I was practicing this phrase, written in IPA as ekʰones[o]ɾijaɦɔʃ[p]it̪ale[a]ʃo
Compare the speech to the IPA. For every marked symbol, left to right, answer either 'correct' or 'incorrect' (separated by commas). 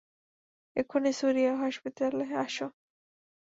incorrect, correct, correct